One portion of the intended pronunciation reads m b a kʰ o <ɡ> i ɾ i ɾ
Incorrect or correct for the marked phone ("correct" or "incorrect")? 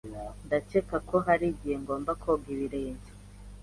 correct